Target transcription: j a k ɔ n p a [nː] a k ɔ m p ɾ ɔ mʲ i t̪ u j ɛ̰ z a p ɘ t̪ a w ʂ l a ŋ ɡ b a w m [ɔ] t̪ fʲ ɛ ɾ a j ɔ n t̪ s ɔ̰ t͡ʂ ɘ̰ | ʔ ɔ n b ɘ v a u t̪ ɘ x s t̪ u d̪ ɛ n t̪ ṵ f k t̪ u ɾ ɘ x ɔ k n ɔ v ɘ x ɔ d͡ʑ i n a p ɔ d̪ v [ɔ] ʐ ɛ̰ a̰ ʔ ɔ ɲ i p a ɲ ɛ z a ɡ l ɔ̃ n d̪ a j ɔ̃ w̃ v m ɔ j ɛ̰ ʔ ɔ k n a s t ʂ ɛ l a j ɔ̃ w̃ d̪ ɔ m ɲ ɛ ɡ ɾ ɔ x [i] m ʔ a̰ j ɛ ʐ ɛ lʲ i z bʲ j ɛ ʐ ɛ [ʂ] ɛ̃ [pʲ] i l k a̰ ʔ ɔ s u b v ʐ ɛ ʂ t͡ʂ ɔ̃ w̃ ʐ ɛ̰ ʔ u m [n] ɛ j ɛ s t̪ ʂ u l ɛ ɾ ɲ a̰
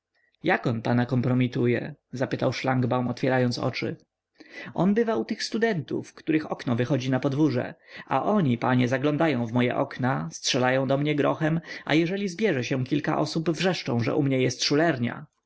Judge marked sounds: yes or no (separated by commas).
no, yes, no, no, no, no, no